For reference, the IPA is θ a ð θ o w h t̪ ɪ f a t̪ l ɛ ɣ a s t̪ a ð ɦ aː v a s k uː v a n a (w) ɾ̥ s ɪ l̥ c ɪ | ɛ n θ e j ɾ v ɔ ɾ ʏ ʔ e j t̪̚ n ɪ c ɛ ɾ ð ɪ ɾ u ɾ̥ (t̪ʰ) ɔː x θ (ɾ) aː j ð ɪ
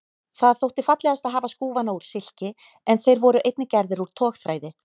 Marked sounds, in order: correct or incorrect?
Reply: incorrect, correct, correct

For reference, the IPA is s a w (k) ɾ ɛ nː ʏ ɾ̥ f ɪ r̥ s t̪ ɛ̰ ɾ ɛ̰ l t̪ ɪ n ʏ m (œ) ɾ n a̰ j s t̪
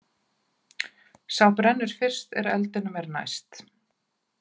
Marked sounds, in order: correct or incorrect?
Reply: incorrect, incorrect

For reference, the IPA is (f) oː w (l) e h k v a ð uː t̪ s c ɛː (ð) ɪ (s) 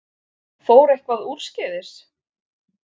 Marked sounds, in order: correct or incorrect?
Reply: correct, incorrect, correct, correct

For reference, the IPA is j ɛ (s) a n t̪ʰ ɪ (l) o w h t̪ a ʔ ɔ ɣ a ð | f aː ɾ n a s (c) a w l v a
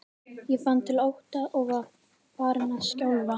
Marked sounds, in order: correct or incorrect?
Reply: incorrect, correct, correct

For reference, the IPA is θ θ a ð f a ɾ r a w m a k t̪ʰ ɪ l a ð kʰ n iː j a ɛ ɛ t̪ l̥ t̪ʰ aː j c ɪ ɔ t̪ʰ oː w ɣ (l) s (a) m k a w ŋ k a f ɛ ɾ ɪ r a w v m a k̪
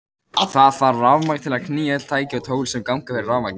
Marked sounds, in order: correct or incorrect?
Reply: correct, incorrect

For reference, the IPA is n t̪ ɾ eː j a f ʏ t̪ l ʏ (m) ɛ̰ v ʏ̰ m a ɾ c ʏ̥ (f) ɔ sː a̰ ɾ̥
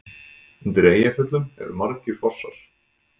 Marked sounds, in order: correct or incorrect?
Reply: correct, correct

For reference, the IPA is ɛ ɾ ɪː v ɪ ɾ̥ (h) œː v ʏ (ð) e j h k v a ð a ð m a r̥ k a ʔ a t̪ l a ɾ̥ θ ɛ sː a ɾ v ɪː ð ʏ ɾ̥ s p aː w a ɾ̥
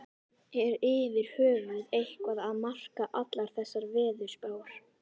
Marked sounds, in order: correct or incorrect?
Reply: correct, correct

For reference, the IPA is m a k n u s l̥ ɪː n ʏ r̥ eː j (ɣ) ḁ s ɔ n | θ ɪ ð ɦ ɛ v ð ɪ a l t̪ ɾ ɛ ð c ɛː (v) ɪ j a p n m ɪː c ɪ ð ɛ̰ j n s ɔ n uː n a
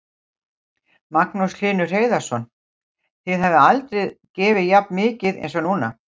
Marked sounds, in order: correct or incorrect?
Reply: incorrect, correct

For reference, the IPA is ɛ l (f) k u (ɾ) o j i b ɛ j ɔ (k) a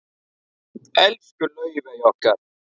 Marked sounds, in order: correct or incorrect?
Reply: correct, incorrect, correct

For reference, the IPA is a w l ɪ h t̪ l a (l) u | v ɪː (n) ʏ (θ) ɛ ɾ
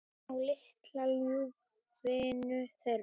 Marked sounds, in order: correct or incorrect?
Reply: correct, correct, correct

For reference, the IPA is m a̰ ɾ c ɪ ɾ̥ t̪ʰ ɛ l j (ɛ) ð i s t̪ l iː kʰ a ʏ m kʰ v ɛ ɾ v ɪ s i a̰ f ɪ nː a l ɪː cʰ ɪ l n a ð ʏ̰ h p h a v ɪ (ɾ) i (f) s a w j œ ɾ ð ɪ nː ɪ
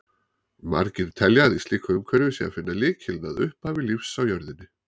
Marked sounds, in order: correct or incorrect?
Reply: incorrect, incorrect, correct

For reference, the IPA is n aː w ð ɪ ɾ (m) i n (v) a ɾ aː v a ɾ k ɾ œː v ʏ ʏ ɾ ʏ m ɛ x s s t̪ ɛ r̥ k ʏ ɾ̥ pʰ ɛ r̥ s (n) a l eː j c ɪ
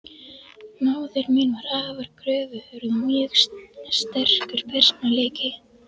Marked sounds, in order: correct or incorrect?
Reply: correct, correct, correct

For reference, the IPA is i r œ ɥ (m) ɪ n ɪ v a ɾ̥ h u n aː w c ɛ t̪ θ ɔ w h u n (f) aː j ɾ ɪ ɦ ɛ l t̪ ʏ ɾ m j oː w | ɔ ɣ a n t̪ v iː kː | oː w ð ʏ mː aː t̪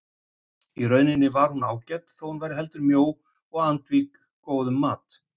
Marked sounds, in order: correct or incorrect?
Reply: incorrect, incorrect

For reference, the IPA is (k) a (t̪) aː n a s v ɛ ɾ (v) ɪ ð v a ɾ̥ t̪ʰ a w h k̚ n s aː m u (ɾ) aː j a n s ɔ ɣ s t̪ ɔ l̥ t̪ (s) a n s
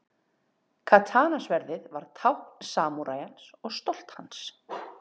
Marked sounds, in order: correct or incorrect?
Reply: incorrect, incorrect, incorrect, correct, incorrect

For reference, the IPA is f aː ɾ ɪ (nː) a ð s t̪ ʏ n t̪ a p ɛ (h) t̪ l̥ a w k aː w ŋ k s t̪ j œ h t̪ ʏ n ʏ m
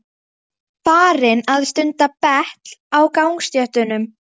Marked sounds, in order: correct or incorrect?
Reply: incorrect, correct

